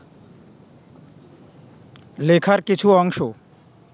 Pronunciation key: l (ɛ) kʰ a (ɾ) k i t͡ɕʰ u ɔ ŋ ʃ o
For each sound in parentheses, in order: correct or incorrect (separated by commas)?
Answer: incorrect, correct